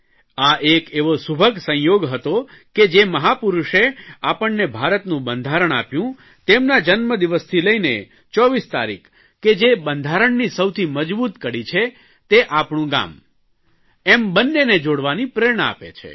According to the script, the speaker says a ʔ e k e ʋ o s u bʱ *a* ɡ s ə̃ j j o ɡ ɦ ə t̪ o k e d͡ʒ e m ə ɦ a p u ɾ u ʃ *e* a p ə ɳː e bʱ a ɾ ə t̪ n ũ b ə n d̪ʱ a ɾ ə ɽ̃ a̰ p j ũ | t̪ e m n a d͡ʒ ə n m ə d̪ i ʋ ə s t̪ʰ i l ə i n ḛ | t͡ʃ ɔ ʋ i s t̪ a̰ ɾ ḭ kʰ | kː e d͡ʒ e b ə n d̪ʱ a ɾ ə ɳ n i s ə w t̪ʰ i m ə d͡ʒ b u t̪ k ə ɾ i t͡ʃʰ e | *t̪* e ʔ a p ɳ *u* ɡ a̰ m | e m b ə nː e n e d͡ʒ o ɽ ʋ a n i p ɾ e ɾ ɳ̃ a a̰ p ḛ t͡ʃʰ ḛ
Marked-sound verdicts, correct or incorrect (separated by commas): incorrect, correct, correct, incorrect